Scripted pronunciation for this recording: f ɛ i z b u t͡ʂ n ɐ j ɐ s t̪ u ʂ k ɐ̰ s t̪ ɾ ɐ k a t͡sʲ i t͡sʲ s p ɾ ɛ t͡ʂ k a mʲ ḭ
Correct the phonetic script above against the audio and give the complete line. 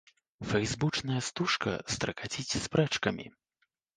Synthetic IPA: f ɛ j z b u t͡ʂ n ɐ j ɐ s t̪ u ʂ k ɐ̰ s t̪ ɾ ɐ k a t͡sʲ i t͡sʲ s p ɾ ɛ t͡ʂ k ɐ mʲ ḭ